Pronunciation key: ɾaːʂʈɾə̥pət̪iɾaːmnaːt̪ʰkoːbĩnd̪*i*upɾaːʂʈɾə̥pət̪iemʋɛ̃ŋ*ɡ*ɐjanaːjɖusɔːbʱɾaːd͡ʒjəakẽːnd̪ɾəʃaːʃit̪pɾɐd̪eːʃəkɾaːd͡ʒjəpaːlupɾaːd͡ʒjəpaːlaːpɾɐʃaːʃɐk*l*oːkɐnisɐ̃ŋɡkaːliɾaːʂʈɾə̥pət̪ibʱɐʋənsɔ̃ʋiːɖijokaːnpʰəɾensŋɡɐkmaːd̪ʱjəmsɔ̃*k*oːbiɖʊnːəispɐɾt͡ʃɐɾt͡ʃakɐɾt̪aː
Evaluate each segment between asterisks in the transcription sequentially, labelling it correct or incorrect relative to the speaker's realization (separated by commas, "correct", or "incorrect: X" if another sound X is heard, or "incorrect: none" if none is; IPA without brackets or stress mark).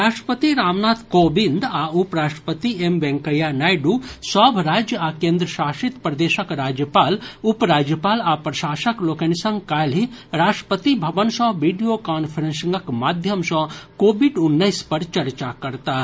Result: incorrect: a, incorrect: k, correct, correct